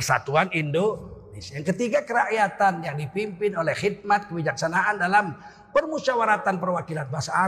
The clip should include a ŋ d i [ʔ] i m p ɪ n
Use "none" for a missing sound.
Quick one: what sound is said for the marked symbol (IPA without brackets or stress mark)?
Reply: p